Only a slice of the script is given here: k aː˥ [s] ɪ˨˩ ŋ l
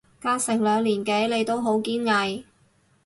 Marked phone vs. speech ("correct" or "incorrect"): correct